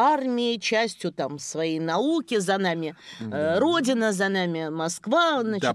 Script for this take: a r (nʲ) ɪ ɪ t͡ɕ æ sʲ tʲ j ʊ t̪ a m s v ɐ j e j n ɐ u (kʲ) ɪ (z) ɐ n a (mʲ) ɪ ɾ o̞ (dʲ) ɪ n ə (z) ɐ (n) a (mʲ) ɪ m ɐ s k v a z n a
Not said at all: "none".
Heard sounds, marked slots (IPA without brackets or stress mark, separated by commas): mʲ, kʲ, z, mʲ, dʲ, z, n, mʲ